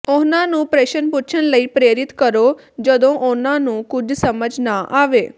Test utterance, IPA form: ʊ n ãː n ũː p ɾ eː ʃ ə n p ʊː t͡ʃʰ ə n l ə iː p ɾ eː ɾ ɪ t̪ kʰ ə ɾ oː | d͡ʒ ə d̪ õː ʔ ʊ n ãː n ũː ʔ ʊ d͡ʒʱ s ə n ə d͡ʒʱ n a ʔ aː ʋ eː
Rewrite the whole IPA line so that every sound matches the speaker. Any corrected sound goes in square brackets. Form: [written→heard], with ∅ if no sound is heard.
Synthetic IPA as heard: ʊ n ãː n ũː p ɾ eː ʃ ə n p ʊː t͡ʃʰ ə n l ə iː p ɾ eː ɾ ɪ t̪ [kʰ→k] ə ɾ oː | d͡ʒ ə d̪ õː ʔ ʊ n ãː n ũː [ʔ→k] ʊ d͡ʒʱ s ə [n→m] ə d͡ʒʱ n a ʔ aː ʋ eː